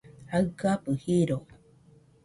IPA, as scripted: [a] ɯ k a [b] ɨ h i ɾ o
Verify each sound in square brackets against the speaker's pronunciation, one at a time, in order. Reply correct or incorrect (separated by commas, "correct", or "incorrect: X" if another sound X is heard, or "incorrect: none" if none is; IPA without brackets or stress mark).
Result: correct, incorrect: p